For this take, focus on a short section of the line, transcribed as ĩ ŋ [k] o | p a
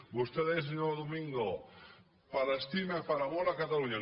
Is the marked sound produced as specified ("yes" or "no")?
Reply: no